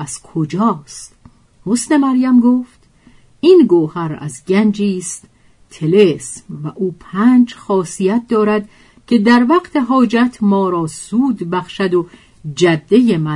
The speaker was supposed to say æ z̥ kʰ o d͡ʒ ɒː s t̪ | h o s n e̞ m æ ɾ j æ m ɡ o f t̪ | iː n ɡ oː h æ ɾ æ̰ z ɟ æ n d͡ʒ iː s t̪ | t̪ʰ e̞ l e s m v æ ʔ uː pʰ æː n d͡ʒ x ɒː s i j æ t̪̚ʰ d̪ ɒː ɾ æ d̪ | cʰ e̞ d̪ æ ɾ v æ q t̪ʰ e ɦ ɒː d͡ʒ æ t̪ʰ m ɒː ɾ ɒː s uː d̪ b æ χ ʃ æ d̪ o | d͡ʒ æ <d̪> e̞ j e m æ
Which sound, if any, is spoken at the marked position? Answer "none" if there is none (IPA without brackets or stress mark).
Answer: d̪ː